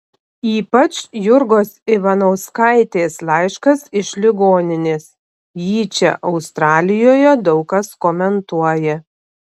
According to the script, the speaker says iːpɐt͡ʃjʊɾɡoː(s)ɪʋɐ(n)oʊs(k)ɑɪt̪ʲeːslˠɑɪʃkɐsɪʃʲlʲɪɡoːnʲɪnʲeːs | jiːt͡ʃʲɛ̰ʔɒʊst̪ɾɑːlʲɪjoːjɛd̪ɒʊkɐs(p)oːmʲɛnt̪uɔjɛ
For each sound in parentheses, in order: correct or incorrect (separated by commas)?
correct, correct, correct, incorrect